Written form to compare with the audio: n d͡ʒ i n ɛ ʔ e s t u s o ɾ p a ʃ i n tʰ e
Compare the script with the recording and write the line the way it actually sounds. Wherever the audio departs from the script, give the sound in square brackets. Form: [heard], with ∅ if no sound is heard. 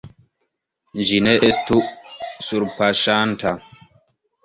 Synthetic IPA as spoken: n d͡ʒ i n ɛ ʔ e s t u s [u] ɾ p a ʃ [a] n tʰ [a]